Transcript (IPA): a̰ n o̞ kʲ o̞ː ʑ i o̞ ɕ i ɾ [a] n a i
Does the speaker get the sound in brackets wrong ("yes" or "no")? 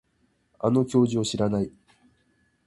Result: no